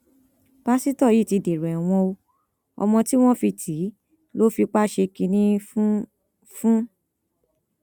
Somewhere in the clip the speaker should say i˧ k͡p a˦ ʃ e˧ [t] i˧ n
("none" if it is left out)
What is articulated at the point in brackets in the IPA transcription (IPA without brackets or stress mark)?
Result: k